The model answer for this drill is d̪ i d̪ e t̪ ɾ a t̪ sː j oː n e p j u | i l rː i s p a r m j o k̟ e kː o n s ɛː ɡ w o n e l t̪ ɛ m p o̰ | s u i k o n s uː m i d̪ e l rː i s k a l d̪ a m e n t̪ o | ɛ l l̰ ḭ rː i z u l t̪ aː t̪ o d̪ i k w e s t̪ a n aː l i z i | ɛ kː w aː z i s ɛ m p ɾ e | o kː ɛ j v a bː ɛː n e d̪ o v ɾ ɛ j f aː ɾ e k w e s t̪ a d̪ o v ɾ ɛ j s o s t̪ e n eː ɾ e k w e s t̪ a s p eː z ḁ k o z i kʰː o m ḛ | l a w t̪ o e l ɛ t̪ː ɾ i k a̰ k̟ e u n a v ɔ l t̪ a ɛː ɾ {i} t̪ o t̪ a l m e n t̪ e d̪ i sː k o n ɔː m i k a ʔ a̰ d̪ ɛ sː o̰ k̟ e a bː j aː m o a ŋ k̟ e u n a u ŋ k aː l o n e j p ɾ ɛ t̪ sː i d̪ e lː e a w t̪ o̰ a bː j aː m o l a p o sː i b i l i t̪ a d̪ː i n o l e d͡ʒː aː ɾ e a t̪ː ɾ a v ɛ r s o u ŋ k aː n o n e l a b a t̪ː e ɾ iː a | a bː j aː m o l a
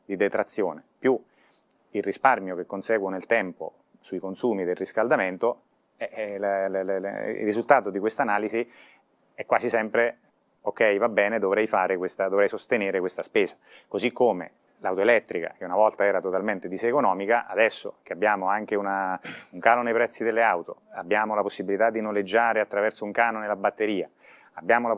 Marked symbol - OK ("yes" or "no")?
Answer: no